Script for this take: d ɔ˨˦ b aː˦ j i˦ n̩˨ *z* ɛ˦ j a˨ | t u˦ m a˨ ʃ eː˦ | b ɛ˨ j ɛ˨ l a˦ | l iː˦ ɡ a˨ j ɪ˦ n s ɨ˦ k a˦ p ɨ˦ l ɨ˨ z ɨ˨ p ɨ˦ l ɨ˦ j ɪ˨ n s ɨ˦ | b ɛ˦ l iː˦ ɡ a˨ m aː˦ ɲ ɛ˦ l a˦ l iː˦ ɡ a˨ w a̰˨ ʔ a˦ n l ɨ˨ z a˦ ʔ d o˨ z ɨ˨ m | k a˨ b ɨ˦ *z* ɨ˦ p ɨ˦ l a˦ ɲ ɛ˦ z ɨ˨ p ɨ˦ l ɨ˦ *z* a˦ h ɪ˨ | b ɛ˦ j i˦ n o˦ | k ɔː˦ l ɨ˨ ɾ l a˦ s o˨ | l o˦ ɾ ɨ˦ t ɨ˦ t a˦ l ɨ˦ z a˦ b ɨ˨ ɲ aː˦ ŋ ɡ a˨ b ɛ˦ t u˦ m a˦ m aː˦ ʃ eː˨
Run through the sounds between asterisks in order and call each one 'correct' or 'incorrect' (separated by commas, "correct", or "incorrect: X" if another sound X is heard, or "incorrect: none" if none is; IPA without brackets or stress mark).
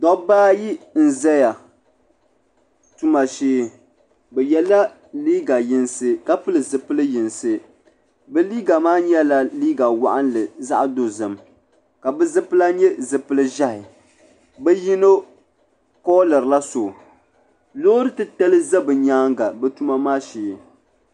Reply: correct, correct, incorrect: ʒ